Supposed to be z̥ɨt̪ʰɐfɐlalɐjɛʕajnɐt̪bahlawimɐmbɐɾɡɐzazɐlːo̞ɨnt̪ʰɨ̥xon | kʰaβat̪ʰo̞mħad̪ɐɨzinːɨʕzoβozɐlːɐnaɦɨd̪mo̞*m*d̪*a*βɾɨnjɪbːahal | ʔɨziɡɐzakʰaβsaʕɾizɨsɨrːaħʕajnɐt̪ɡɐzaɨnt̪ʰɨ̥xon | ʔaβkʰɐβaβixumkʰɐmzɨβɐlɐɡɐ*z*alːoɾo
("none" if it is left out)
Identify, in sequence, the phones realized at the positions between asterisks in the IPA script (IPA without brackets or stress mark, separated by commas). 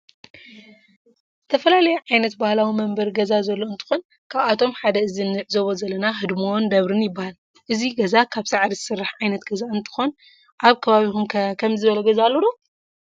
n, ɐ, z